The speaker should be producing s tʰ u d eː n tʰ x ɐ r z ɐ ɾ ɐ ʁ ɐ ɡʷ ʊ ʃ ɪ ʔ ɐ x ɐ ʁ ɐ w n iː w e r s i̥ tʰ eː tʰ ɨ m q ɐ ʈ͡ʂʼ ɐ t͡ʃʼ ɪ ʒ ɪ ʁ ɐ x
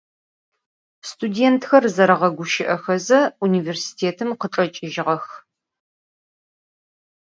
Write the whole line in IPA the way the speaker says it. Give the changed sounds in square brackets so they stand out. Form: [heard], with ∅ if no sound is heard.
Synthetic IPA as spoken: s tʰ u d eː n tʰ x ɐ r z ɐ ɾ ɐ ʁ ɐ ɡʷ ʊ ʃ ɪ ʔ ɐ x ɐ [z] ɐ [u] n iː [v] e r s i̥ tʰ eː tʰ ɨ m q [ə] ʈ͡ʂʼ ɐ t͡ʃʼ ɪ ʒ ɪ ʁ ɐ x